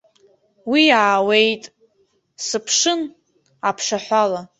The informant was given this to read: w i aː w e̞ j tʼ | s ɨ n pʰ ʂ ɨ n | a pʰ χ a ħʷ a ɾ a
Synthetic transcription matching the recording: w i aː w e̞ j tʼ | s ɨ pʰ ʂ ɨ n | a pʰ ʂ a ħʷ a l a